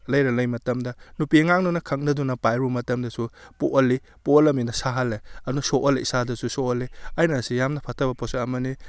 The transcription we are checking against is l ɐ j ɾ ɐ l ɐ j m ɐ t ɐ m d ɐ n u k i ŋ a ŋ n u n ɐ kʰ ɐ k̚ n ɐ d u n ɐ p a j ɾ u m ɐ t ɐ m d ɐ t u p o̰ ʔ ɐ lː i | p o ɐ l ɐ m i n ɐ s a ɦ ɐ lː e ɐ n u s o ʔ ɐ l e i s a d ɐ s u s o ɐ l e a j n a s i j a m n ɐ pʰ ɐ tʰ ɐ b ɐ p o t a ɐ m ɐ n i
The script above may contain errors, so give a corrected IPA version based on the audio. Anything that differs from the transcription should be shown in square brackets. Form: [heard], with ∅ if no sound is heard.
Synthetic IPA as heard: l ɐ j ɾ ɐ l ɐ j m ɐ t ɐ m d ɐ n u [p] i ŋ a ŋ n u n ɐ kʰ ɐ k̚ n ɐ d u n ɐ p a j ɾ u m ɐ t ɐ m d ɐ [s] u p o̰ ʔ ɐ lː i | p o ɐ l ɐ m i n ɐ s a ɦ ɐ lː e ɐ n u s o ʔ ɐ l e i s a d ɐ s u s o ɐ l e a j n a s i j a m n ɐ pʰ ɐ tʰ ɐ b ɐ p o [s] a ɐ m ɐ n i